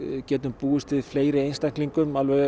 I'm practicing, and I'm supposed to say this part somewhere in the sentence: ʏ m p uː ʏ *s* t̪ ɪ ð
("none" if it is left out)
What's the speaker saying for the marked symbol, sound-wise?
s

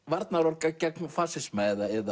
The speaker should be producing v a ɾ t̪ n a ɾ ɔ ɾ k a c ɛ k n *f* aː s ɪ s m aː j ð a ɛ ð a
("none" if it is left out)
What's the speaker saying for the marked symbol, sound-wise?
f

